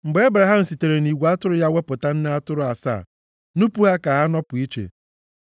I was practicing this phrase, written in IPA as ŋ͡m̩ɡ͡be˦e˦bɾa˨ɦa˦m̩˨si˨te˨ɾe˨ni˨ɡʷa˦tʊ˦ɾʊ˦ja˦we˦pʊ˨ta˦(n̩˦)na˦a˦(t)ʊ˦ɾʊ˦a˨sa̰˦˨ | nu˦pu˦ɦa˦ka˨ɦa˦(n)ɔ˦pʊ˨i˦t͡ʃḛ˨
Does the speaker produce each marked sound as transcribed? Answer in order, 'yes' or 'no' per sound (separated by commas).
yes, yes, yes